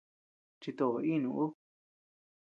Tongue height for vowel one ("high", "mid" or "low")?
high